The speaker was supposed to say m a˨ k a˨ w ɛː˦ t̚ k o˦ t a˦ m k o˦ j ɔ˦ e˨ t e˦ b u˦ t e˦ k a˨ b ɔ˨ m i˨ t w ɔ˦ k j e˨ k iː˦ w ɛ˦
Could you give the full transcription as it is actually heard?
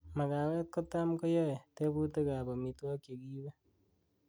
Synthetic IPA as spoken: m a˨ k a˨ w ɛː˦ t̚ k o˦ t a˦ m k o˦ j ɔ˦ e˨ t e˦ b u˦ t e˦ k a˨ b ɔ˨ m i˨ t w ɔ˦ k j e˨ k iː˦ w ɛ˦